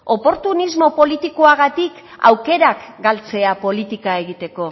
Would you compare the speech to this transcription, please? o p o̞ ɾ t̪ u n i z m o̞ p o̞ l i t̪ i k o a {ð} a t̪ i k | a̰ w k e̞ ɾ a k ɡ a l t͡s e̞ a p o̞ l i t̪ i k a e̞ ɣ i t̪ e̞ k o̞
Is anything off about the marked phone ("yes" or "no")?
yes